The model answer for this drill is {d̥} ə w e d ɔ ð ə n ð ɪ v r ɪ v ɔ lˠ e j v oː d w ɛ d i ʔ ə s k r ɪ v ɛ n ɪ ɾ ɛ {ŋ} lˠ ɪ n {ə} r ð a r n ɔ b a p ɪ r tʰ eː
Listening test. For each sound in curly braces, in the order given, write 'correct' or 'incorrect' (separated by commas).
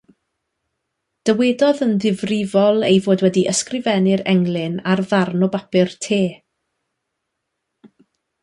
correct, correct, incorrect